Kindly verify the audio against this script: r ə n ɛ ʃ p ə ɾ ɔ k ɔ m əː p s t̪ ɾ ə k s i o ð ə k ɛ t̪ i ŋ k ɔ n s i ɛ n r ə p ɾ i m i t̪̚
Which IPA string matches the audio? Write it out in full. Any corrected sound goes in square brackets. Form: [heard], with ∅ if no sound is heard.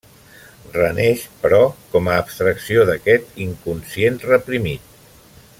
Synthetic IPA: r ə n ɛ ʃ p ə ɾ ɔ k ɔ m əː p s t̪ ɾ ə k s i o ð ə k ɛ t̪ i ŋ k [u] n s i [e] n r ə p ɾ i m i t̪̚